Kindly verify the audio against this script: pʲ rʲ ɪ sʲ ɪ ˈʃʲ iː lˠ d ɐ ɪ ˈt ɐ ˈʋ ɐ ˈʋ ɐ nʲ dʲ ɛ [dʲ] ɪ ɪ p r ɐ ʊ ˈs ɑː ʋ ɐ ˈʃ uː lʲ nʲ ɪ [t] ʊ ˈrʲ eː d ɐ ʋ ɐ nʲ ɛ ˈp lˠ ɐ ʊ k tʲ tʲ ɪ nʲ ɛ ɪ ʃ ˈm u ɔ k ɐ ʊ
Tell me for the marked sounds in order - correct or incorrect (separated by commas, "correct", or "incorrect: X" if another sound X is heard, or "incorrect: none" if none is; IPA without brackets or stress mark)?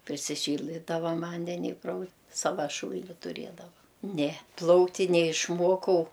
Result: incorrect: nʲ, correct